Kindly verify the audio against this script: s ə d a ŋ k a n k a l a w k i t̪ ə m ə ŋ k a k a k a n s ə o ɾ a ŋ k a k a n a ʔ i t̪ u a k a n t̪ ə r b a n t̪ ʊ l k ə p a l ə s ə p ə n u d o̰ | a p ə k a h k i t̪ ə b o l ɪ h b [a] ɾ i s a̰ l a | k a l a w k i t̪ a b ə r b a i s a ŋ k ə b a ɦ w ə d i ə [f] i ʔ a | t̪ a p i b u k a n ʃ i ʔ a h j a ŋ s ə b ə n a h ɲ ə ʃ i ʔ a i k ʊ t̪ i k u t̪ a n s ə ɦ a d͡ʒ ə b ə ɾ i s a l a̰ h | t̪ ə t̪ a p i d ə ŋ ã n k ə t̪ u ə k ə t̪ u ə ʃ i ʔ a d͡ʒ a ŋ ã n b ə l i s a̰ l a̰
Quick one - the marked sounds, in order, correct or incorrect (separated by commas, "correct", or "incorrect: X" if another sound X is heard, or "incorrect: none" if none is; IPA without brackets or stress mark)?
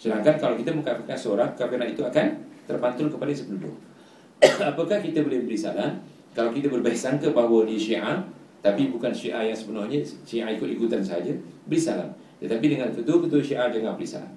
incorrect: ə, incorrect: ʃ